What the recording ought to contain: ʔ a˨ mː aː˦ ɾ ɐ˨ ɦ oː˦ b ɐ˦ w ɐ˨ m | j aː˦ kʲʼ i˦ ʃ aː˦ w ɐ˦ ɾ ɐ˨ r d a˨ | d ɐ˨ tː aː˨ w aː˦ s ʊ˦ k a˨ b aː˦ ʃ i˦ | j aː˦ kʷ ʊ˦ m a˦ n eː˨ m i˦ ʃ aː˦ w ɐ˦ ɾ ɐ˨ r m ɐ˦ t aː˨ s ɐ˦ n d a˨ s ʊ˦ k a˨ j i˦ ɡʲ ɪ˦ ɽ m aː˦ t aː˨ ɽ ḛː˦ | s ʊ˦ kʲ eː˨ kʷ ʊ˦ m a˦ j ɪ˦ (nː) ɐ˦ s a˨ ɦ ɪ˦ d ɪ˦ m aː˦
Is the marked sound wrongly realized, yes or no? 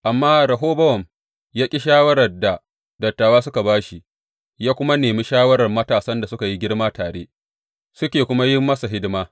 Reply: yes